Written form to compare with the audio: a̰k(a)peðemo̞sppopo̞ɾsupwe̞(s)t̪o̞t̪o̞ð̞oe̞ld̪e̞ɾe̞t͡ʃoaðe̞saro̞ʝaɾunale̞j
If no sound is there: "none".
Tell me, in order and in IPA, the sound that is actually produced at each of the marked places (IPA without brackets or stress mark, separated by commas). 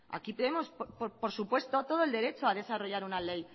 i, s